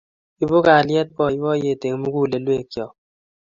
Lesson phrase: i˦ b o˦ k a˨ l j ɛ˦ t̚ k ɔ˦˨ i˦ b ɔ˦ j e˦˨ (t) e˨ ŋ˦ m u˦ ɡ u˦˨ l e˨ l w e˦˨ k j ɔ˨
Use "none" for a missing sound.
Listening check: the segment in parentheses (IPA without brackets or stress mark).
t